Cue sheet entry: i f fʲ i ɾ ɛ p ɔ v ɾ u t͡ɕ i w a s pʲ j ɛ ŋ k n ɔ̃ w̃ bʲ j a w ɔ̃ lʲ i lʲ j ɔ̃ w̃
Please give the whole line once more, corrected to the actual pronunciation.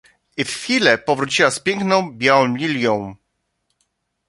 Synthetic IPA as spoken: i f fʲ i l ɛ p ɔ v ɾ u t͡ɕ i w a s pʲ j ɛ ŋ k n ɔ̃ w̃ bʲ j a w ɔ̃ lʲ i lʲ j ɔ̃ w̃